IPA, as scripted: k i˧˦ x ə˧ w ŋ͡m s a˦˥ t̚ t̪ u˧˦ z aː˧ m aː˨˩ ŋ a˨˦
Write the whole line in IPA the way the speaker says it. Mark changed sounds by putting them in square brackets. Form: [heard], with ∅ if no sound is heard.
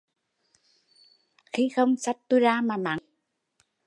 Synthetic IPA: [x] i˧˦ x ə˧ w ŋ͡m s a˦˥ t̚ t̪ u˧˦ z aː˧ m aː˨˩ [m] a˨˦